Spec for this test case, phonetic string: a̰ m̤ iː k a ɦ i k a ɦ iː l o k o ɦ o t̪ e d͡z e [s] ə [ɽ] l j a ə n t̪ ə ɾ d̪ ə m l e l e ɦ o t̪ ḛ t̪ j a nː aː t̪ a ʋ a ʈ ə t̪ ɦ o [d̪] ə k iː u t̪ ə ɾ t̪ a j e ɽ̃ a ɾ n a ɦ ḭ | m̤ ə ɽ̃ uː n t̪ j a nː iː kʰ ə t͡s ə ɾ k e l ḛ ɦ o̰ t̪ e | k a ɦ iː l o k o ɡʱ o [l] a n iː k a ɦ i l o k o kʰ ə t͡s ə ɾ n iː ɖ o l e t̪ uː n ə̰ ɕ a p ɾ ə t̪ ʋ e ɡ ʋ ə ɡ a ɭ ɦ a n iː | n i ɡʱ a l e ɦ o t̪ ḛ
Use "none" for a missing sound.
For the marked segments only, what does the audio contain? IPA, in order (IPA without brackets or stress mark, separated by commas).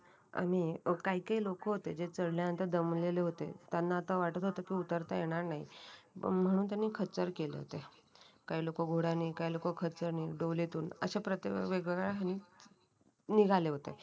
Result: t͡s, ɽ, t̪, ɽ